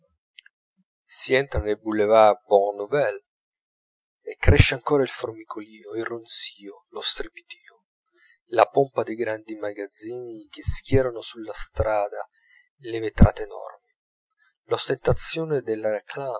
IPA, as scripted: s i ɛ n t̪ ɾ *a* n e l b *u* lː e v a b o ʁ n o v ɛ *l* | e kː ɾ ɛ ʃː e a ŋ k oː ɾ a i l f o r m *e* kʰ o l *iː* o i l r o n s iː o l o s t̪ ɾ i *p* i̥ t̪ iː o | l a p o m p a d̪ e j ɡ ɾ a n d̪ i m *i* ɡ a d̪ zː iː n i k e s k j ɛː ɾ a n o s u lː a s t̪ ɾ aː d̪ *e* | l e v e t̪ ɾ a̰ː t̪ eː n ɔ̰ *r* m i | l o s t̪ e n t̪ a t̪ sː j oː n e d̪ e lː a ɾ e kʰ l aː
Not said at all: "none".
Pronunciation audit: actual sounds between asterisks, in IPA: a, u, l, i, iː, p, a, a, r

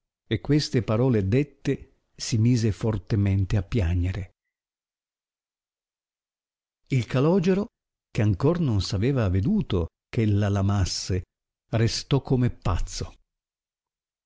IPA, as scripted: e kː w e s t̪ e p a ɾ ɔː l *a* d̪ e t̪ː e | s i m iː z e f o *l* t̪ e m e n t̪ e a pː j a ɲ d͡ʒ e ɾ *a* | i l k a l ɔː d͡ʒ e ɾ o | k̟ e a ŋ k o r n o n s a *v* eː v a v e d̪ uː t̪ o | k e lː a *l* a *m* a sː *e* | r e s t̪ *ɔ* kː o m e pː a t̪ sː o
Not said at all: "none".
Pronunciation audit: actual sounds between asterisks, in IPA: e, r, e, v, l, m, e, ɔ

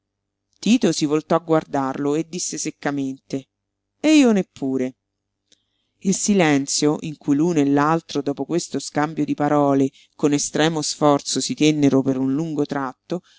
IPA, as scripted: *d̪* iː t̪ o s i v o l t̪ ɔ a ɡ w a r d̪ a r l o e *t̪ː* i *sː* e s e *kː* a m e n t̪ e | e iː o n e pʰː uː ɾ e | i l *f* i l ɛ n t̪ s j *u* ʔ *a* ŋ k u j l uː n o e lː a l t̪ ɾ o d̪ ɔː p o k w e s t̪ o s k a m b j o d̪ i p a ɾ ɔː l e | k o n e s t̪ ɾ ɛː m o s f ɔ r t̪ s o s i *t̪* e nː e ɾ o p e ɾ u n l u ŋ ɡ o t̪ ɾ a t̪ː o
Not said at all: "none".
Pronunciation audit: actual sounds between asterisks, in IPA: t̪, d̪ː, sː, kː, s, o, i, t̪

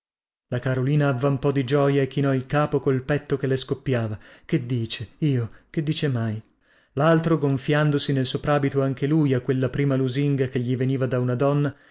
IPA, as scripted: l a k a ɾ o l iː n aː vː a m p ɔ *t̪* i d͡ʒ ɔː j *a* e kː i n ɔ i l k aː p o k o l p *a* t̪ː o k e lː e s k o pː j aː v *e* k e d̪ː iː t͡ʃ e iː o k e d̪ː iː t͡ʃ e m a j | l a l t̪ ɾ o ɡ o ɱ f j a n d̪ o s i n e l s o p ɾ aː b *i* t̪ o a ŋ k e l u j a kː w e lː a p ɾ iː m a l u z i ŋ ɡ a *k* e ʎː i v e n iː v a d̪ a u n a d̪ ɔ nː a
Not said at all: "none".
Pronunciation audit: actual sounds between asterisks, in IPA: d̪, a, ɛ, a, i, k

